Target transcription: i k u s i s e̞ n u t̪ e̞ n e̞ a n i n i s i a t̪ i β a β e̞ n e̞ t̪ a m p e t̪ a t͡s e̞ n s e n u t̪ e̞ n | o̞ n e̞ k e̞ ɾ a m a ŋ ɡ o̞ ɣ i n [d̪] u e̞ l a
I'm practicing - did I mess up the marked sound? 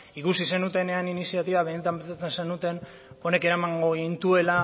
yes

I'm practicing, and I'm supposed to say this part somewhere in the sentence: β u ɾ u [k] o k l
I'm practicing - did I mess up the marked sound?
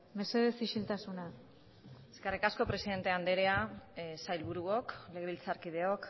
yes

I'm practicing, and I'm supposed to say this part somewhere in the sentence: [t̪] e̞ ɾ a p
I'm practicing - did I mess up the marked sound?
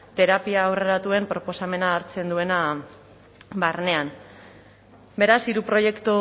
no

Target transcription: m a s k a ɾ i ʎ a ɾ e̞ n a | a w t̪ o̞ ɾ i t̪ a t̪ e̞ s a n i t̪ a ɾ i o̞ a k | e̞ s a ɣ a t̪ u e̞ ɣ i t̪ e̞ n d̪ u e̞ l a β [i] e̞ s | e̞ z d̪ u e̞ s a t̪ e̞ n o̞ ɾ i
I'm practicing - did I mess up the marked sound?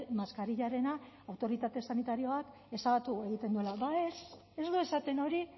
yes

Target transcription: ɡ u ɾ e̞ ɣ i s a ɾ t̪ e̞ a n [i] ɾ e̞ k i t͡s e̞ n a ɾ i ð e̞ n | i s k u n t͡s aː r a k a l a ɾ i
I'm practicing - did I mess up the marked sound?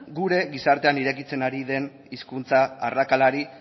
no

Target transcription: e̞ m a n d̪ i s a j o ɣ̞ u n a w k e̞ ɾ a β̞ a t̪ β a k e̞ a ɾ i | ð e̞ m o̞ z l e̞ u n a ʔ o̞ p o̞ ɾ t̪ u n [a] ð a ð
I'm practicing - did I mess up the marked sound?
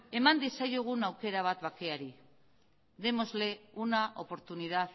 yes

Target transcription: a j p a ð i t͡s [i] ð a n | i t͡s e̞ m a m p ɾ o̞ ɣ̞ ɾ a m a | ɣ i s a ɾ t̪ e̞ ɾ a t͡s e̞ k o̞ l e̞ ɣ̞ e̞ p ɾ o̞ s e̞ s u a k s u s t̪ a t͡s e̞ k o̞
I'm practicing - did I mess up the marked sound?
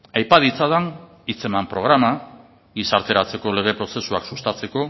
yes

